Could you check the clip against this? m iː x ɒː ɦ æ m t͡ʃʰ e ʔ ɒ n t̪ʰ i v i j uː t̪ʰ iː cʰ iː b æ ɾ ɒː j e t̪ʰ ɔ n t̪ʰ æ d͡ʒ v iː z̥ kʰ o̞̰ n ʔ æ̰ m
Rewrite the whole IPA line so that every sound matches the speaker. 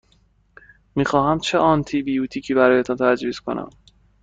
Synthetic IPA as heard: m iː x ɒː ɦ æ m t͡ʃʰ e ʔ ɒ n t̪ʰ i b i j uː t̪ʰ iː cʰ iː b æ ɾ ɒː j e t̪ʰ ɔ n t̪ʰ æ d͡ʒ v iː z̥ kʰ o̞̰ n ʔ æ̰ m